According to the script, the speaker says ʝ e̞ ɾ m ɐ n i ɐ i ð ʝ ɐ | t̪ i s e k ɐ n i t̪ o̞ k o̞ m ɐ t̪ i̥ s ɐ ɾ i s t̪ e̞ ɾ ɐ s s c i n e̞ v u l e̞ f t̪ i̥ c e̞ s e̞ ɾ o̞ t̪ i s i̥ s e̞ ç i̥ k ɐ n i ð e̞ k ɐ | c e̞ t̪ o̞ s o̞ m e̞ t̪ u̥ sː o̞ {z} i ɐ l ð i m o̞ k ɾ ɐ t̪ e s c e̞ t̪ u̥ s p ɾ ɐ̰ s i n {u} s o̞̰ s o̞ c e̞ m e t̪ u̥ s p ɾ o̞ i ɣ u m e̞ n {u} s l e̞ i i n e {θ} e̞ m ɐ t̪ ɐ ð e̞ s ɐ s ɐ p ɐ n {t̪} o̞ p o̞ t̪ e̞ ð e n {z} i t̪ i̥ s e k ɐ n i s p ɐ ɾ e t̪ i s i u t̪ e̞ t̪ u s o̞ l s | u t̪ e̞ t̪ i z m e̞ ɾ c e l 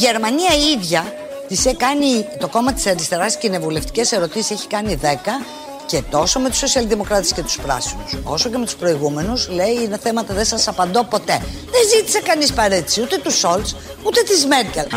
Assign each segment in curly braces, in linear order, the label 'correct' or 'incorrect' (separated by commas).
incorrect, correct, correct, correct, incorrect, correct